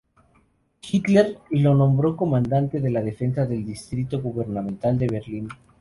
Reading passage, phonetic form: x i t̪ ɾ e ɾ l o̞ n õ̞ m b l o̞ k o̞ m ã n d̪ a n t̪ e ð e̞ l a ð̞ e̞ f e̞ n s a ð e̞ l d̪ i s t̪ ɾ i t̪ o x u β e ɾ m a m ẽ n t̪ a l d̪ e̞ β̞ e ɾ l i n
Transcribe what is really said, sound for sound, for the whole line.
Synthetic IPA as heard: x i t̪ l e ɾ l o̞ n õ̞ m b ɾ o̞ k o̞ m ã n d̪ a n t̪ e ð e̞ l a ð̞ e̞ f e̞ n s a ð e̞ l d̪ i s t̪ ɾ i t̪ o ɣ u β e ɾ n a m ẽ n t̪ a l d̪ e̞ β̞ e ɾ l i n